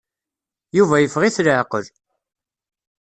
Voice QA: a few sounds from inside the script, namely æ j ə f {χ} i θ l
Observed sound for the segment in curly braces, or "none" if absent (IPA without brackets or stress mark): ʁ